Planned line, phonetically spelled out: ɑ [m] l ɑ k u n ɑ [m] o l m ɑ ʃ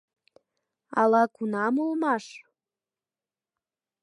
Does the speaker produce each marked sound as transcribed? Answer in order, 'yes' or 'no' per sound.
no, yes

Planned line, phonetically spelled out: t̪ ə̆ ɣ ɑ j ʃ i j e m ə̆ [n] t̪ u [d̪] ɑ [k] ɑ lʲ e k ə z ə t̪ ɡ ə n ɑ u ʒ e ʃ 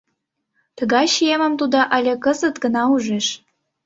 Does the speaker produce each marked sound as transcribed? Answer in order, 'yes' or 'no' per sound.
no, yes, no

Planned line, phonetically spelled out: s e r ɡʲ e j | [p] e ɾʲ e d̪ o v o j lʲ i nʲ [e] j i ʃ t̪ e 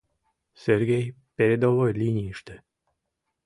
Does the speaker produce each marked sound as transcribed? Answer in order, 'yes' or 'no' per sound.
yes, no

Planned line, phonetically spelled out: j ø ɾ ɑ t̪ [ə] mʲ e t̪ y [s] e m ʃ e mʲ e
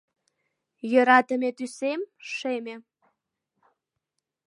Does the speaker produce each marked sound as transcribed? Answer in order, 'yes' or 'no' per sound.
yes, yes

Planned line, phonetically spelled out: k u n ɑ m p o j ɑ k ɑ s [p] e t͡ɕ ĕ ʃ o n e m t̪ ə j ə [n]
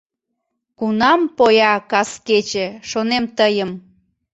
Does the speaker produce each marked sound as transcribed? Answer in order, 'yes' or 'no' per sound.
no, no

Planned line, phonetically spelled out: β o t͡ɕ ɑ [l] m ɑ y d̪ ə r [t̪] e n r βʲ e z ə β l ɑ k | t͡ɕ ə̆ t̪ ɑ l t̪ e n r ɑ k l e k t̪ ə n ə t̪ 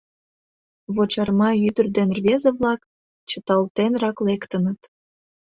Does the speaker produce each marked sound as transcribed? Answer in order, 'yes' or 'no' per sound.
no, no

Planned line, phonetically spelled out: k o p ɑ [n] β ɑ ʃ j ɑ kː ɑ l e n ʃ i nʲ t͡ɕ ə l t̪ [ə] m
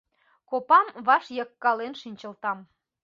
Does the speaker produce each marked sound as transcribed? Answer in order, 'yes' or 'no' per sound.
no, no

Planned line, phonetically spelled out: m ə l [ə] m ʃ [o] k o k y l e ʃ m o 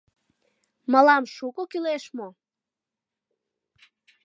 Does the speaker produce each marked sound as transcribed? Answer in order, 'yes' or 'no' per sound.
no, no

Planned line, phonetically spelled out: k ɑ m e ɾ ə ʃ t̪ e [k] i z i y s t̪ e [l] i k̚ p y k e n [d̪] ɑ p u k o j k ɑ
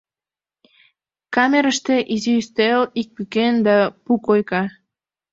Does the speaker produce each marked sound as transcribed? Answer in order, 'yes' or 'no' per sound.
no, yes, yes

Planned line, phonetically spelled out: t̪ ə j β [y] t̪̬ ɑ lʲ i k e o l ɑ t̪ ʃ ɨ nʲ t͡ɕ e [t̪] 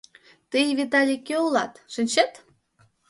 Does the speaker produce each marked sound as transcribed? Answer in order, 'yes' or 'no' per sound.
no, yes

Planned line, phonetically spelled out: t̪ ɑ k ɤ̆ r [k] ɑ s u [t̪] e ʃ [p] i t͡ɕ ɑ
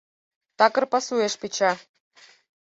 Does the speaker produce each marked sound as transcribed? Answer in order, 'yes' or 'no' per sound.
no, no, yes

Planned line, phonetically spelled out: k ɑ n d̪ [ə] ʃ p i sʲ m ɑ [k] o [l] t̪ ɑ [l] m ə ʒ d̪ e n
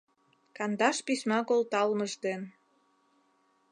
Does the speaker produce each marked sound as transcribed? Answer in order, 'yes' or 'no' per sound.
no, yes, yes, yes

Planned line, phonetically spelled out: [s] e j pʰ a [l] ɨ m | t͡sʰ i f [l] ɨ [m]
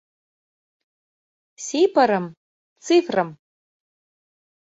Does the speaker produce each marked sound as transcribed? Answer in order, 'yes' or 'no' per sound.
yes, no, no, yes

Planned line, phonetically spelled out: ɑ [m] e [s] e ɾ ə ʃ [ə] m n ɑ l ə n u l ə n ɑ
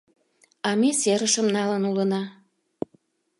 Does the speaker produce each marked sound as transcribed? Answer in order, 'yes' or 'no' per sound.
yes, yes, yes

